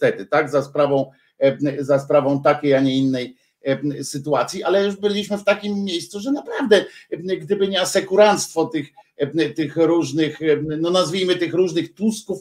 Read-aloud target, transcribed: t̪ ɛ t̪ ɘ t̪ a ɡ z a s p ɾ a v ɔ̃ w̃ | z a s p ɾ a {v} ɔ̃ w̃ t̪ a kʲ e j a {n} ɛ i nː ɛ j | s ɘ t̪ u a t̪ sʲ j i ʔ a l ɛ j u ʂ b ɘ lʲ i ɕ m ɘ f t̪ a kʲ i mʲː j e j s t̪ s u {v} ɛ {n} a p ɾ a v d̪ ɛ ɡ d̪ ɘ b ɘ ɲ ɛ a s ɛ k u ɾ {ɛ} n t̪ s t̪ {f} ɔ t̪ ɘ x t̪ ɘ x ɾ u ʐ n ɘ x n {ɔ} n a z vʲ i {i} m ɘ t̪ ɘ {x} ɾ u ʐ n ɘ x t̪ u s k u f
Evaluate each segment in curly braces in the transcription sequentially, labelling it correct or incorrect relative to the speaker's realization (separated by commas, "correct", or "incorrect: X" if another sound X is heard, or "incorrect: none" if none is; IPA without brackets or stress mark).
correct, incorrect: ɲ, incorrect: ʐ, correct, incorrect: a, correct, correct, incorrect: j, correct